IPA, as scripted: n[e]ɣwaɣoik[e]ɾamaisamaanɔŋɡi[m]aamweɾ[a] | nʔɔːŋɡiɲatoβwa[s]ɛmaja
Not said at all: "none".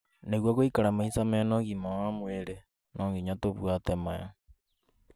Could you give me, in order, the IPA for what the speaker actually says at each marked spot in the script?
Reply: e, a, m, e, t

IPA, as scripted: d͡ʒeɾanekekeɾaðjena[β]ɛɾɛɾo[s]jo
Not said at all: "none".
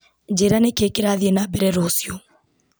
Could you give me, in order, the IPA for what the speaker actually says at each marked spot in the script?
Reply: b, s

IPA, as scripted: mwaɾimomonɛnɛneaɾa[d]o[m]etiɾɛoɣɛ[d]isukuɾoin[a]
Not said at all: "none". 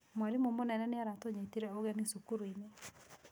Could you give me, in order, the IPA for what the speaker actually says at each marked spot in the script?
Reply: t, ɲ, n, e

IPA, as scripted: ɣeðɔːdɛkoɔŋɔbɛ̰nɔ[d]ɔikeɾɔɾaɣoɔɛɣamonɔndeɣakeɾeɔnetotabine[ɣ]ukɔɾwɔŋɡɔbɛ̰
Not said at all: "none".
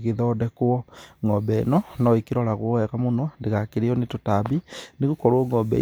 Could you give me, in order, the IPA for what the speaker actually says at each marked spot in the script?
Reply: n, ɣ

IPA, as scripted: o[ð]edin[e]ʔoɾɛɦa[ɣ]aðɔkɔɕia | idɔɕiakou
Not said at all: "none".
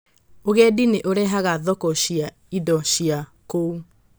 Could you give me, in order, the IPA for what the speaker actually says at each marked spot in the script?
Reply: ɣ, e, ɣ

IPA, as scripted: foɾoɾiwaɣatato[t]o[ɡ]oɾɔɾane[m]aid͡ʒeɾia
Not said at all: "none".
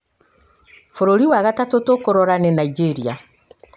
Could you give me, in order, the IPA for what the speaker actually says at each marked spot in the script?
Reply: t, k, n

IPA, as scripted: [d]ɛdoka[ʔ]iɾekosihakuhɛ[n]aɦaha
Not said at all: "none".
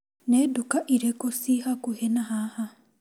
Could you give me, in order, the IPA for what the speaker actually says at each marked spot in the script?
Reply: n, ʔ, n

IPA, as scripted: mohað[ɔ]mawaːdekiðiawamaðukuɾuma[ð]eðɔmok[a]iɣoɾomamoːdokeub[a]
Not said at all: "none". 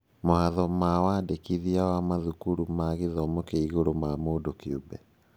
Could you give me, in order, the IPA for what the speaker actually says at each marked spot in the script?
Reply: ɔ, ɣ, e, ɛ

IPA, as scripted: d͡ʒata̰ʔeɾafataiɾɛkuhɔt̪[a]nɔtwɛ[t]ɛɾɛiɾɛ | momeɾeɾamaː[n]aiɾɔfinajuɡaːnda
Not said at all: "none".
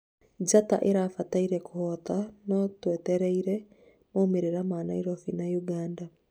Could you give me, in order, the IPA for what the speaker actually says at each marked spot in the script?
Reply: a, t, n

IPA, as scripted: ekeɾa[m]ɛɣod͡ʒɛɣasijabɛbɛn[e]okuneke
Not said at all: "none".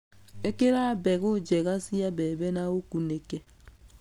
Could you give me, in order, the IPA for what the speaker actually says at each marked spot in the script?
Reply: b, a

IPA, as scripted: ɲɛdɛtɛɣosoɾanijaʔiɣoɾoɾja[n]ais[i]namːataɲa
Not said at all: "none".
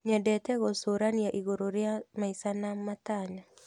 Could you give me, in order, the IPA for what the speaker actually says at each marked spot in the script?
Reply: m, a

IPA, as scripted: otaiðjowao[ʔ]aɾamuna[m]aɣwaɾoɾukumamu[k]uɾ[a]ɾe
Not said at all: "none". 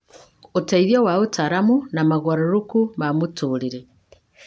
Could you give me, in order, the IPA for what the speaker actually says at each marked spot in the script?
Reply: t, m, t, i

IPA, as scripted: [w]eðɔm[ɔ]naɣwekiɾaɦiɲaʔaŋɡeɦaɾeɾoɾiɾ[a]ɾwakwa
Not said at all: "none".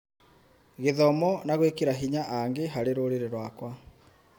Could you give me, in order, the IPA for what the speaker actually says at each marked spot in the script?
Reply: ɣ, ɔ, e

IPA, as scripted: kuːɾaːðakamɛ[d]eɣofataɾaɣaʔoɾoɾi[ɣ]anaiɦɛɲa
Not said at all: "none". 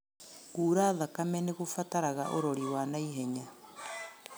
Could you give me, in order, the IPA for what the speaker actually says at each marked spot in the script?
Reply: n, w

